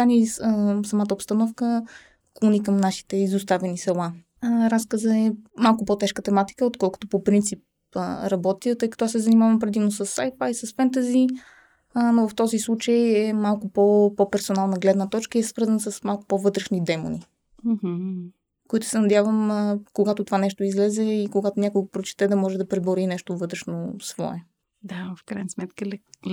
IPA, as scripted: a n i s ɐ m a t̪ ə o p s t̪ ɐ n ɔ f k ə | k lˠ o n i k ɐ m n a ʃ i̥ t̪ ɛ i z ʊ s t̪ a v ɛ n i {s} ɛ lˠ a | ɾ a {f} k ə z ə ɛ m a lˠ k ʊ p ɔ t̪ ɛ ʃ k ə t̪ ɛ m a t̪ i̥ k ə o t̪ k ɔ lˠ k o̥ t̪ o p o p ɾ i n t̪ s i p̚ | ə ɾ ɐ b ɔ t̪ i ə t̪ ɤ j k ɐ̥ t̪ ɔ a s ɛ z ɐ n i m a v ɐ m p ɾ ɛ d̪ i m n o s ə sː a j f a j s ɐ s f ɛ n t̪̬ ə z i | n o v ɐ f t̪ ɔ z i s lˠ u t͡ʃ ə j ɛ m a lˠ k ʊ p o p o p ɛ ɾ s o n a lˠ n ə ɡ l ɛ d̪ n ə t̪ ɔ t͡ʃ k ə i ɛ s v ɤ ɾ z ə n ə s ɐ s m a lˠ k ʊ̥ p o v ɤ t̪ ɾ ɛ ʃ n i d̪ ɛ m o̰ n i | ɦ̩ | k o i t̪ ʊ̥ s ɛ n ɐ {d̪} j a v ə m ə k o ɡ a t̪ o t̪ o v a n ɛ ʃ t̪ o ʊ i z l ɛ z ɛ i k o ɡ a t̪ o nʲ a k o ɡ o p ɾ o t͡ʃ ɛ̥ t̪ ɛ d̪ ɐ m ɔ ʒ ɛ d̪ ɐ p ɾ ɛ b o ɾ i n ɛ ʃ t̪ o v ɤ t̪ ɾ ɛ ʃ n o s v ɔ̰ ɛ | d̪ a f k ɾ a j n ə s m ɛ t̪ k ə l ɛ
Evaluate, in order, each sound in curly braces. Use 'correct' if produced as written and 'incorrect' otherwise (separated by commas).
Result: correct, incorrect, correct